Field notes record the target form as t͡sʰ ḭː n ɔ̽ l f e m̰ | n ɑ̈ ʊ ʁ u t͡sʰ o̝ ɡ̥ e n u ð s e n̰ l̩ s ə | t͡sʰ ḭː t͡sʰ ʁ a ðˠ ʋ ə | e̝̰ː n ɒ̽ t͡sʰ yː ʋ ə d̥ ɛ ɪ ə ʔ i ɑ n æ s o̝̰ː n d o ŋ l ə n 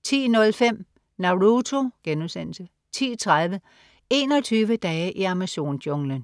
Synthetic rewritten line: t͡sʰ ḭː n ɔ̽ l f e m̰ | n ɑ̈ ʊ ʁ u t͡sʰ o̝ ɡ̥ e n u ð s e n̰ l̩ s ə | t͡sʰ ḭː t͡sʰ ʁ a ðˠ ʋ ə | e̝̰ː n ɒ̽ t͡sʰ yː ʋ ə d̥ ɛ ɪ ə ʔ i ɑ m æ s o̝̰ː n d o ŋ l ə n